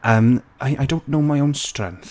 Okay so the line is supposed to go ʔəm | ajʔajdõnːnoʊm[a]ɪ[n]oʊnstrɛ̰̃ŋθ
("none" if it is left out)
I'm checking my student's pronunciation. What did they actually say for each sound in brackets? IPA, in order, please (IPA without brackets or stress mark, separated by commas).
a, none